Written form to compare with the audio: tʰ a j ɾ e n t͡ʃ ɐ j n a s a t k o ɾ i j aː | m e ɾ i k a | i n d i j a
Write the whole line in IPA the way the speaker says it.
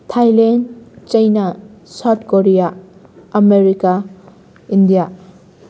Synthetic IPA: tʰ a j l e n t͡ʃ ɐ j n a s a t k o ɾ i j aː | m e ɾ i k a | i n d i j a